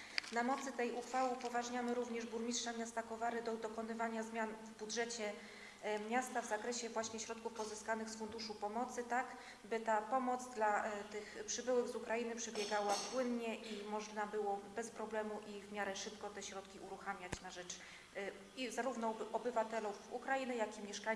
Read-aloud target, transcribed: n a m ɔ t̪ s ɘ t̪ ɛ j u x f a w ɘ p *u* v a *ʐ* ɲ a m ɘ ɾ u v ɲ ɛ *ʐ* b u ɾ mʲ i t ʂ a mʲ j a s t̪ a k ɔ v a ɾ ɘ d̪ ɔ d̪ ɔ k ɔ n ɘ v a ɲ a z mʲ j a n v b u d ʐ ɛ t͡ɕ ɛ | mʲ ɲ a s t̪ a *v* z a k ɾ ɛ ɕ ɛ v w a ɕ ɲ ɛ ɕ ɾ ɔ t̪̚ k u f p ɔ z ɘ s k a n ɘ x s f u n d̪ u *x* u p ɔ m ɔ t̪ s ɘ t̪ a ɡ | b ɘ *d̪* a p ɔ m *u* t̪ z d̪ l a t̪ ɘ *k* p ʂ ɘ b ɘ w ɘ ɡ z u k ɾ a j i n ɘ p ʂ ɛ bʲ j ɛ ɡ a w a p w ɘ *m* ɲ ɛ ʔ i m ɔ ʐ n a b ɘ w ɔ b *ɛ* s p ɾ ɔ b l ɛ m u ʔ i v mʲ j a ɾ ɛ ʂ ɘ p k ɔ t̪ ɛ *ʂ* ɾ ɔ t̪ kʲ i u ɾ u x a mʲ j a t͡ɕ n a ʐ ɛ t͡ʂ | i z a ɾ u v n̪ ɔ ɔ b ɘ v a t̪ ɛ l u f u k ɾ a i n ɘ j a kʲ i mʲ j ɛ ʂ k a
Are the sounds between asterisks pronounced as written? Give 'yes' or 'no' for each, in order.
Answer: no, yes, yes, yes, no, no, no, no, no, yes, no

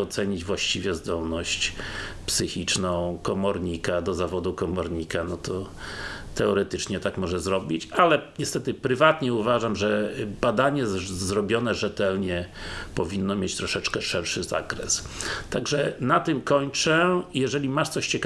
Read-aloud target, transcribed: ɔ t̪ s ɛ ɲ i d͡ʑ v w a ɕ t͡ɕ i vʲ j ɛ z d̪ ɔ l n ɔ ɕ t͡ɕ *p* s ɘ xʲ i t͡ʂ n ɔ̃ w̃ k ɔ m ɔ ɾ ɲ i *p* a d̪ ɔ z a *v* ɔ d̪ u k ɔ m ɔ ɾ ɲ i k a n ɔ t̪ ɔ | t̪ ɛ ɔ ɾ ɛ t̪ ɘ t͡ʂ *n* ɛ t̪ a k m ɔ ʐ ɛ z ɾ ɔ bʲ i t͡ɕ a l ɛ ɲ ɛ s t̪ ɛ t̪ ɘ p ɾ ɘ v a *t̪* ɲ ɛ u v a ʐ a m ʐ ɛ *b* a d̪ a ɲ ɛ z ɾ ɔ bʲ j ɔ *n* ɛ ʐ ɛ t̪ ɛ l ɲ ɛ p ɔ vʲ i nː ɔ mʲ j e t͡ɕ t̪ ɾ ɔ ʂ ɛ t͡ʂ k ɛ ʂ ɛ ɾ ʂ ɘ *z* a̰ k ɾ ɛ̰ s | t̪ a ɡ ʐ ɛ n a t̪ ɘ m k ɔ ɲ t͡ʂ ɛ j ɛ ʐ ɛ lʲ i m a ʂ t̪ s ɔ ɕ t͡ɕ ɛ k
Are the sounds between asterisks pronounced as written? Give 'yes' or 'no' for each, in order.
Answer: yes, no, yes, no, yes, yes, yes, yes

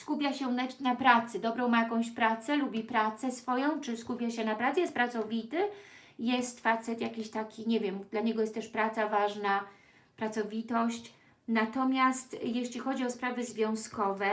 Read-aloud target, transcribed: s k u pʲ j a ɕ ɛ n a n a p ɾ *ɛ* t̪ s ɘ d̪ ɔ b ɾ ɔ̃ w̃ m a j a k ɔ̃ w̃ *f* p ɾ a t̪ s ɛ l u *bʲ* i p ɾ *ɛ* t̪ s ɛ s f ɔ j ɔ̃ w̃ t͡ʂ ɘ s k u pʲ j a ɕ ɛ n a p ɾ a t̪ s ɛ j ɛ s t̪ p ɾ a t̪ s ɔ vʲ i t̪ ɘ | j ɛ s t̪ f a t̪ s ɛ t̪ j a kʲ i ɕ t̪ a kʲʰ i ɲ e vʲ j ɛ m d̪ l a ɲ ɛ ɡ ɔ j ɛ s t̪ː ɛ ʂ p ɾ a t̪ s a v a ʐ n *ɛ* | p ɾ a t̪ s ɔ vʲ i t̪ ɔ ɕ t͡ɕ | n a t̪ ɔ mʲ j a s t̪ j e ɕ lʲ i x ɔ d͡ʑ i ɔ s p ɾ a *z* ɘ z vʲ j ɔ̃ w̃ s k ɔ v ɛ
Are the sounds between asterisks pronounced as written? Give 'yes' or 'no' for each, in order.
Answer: no, no, yes, no, no, no

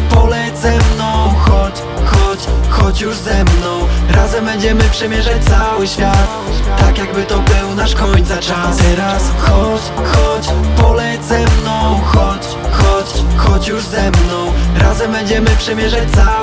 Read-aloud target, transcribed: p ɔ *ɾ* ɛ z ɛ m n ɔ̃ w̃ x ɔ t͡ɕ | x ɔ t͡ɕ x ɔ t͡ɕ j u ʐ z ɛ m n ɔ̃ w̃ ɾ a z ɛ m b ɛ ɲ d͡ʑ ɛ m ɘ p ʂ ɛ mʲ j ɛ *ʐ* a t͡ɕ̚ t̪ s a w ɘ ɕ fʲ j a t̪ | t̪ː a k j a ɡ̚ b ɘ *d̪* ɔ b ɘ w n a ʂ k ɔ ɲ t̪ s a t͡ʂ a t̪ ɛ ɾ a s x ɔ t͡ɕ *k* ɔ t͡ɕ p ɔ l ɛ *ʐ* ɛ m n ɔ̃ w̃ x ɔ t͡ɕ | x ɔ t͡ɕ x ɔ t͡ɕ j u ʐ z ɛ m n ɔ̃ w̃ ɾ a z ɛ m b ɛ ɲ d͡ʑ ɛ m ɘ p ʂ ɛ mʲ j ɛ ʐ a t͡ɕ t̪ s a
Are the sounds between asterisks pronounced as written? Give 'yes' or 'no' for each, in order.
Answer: no, yes, no, no, no

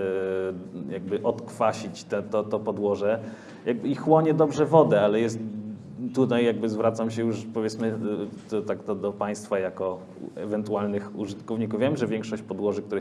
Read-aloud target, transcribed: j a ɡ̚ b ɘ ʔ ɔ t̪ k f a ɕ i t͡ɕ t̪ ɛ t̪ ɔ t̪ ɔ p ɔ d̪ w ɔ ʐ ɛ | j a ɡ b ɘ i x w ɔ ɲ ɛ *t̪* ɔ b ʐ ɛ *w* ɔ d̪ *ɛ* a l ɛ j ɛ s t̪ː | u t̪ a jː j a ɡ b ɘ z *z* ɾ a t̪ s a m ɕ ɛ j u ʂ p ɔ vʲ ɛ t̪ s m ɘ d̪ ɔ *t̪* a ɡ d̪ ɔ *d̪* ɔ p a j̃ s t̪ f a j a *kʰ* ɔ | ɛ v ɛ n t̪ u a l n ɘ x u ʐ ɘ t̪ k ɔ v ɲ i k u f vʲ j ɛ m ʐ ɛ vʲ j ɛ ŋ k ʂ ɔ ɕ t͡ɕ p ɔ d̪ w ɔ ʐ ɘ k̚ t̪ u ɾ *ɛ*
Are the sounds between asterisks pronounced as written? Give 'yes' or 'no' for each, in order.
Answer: no, no, yes, no, yes, yes, no, yes

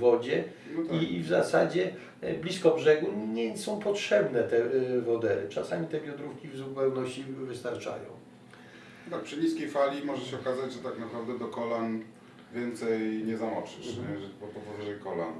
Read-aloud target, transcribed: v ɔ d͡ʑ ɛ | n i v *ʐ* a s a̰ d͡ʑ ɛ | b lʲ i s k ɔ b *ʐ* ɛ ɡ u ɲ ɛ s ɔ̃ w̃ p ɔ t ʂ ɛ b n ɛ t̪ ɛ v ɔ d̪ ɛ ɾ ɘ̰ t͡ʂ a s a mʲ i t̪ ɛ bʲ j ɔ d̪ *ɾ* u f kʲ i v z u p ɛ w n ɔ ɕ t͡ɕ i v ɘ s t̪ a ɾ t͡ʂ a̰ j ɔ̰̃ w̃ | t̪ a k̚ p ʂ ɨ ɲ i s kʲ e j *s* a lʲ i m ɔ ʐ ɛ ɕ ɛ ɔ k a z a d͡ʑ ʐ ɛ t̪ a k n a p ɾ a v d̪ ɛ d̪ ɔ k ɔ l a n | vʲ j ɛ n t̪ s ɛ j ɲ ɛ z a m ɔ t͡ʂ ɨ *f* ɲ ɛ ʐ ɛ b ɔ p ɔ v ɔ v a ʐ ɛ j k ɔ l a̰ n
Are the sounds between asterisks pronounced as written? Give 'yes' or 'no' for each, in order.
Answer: no, yes, yes, no, no

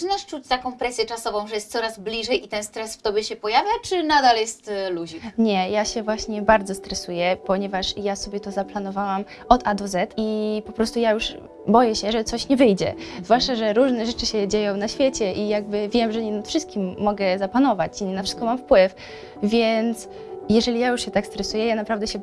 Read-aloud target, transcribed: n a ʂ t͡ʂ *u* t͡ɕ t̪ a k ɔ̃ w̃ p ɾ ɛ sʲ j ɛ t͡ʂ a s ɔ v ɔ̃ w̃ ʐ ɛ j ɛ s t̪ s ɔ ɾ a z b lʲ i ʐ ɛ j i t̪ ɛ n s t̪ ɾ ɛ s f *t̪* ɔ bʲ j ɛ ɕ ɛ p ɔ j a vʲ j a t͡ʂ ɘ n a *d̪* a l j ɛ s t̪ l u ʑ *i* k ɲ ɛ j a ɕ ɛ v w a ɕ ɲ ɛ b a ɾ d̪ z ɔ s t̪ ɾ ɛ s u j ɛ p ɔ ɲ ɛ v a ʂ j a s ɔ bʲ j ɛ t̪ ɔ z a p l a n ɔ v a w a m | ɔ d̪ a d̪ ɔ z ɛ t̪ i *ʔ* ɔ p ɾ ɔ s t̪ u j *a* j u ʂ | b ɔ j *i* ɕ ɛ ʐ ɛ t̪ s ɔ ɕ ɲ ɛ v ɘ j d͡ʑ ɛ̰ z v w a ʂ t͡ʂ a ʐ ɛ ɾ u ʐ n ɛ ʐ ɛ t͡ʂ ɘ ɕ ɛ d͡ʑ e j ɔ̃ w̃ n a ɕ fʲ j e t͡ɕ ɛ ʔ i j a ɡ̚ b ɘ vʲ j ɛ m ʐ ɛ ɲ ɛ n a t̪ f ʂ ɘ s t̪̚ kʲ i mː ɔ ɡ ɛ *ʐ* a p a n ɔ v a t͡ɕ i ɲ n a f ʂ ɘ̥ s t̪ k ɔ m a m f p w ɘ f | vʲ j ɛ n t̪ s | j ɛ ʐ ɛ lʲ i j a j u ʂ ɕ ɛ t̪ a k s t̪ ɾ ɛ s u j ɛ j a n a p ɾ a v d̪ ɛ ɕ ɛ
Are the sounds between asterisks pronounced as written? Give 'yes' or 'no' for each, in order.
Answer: yes, yes, yes, yes, no, yes, no, no

